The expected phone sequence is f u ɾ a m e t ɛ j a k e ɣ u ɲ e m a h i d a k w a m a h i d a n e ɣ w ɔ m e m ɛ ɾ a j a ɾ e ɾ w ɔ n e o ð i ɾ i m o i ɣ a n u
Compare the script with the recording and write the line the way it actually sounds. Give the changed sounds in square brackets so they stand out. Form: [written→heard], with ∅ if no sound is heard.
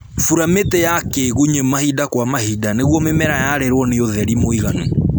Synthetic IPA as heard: f u ɾ a m e t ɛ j a k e ɣ u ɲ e m a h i d a k w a m a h i d a n e ɣ w ɔ m e m ɛ ɾ a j a ɾ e ɾ w ɔ n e o ð [i→ɛ] ɾ i m o i ɣ a n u

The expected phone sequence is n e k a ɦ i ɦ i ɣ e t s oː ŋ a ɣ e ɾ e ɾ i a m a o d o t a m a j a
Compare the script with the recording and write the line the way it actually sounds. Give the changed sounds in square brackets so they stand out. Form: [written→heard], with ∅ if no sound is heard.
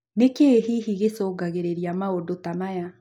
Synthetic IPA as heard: n e k [a→e] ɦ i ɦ i ɣ e [t→∅] s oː [ŋ→ɡ] a ɣ e ɾ e ɾ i a m a o d o t a m a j a

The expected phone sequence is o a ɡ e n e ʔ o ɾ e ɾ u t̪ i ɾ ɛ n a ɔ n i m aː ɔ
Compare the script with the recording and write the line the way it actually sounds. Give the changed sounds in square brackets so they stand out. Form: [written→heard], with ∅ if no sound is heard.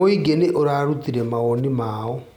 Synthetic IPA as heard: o [a→i] ɡ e n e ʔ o ɾ [e→a] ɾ u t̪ i ɾ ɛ [n→m] a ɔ n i m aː ɔ

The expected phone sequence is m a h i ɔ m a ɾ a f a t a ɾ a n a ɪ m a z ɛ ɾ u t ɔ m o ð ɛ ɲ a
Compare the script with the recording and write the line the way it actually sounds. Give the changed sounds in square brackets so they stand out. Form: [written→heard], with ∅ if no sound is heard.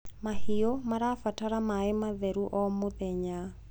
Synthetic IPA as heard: m a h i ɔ m a ɾ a f a t a ɾ a [n→m] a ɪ m a [z→ð] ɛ ɾ u [t→ʔ] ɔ m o ð ɛ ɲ a

